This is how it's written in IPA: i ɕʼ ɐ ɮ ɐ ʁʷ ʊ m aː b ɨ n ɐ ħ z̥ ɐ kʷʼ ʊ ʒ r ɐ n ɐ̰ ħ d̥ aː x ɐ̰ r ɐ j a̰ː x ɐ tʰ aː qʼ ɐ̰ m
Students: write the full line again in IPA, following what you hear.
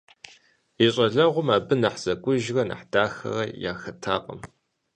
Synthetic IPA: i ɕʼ ɐ ɮ ɐ ʁʷ ʊ m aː b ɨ n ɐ ħ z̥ ɐ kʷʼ ʊ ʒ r ɐ n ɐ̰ ħ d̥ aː x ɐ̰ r ɐ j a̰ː x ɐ tʰ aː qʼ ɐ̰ m